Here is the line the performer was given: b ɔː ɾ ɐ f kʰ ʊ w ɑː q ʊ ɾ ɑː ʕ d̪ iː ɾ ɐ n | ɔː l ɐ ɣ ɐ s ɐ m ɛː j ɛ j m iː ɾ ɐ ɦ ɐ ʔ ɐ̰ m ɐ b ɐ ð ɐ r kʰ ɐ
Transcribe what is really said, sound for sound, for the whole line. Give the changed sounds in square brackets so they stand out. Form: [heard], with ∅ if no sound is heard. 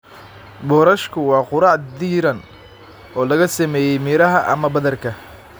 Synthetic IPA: b ɔː ɾ ɐ [ʃ] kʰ ʊ w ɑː q ʊ ɾ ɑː ʕ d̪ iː ɾ ɐ n | ɔː l ɐ ɣ ɐ s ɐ m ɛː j ɛ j m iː ɾ ɐ ɦ ɐ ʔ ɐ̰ m ɐ b ɐ ð ɐ r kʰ ɐ